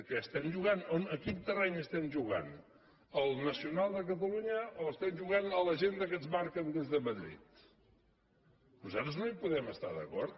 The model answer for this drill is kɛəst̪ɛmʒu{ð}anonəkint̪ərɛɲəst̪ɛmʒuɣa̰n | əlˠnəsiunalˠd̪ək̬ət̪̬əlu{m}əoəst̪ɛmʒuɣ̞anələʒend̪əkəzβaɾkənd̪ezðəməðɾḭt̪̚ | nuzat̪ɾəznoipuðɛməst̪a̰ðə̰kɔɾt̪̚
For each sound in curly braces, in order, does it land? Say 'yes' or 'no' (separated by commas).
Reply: no, no